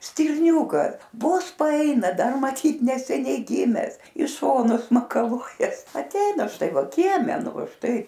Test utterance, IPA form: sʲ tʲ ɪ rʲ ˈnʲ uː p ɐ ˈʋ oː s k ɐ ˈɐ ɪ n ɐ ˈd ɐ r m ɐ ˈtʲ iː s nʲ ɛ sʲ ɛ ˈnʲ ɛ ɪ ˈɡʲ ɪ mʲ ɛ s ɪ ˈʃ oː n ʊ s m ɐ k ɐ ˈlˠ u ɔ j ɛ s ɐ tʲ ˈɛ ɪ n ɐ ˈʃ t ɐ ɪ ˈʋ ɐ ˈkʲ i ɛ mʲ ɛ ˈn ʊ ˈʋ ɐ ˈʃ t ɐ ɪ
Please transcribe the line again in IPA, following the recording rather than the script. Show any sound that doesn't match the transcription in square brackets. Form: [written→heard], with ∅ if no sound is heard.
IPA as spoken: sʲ tʲ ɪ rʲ ˈnʲ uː [p→k] ɐ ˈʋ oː s [k→p] ɐ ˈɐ ɪ n ɐ ˈd ɐ r m ɐ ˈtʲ iː [s→t] nʲ ɛ sʲ ɛ ˈnʲ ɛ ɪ ˈɡʲ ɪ mʲ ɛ s ɪ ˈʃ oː n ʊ s m ɐ k ɐ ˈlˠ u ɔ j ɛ s ɐ tʲ ˈɛ ɪ n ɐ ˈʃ t ɐ ɪ ˈʋ ɐ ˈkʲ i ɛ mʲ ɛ ˈn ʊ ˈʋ ɐ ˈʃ t ɐ ɪ